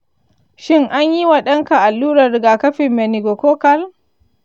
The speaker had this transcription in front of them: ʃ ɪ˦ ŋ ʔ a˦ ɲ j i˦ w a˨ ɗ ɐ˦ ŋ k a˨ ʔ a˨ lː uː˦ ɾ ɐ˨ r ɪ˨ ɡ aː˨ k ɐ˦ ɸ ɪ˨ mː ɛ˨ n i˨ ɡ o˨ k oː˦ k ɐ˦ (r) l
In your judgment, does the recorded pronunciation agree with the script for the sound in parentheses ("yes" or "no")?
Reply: no